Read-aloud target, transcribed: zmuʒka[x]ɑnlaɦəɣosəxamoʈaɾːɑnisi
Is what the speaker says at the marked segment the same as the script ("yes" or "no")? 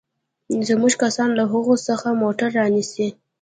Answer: no